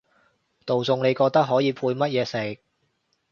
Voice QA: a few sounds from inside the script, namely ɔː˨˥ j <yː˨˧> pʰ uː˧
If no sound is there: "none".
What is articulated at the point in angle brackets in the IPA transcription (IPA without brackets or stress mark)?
iː˨˧